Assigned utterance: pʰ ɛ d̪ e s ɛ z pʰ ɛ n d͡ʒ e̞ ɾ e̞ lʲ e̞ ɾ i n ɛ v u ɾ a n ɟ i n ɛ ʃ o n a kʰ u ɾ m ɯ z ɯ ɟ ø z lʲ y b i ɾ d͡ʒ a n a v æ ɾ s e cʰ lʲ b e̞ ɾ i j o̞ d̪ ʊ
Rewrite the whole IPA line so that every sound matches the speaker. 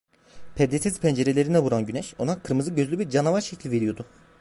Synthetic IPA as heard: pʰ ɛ d̪ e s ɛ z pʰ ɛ n d͡ʒ e̞ ɾ e̞ lʲ e̞ ɾ i n ɛ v u ɾ a n ɟ y n ɛ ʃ o n a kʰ ɯ ɾ m ɯ z ɯ ɟ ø z lʲ y b i ɾ d͡ʒ a n a v a ɾ ʃ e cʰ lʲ v e̞ ɾ i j o̞ d̪ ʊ